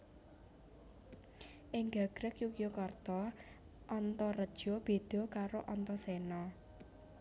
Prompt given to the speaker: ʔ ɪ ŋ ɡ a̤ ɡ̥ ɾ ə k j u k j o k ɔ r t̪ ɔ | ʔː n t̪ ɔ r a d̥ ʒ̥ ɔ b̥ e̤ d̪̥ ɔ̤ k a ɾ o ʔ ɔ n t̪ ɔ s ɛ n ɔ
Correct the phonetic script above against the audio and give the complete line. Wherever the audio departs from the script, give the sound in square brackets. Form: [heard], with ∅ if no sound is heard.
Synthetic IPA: ʔ ɪ ŋ ɡ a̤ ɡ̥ ɾ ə k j u k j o k ɔ r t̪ ɔ | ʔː n t̪ ɔ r [ə] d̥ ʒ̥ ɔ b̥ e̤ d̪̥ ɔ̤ k a ɾ o ʔ ɔ n t̪ ɔ s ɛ n ɔ